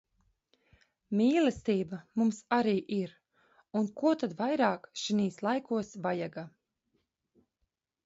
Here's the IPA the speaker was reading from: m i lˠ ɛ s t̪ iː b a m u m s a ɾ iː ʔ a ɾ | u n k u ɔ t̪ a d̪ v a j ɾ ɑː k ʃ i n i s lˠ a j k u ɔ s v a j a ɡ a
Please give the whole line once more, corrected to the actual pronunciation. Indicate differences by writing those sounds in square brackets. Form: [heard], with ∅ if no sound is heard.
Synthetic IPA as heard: m [iː] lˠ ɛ s t̪ iː b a m u m s a ɾ iː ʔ [i] ɾ | u n k u ɔ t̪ a d̪ v a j ɾ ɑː k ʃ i n [iː] s lˠ a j k u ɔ s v a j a ɡ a